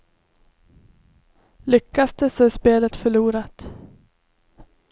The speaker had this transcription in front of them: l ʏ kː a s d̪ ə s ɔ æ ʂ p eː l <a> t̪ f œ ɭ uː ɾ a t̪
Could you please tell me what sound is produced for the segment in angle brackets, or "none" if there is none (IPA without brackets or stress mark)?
ə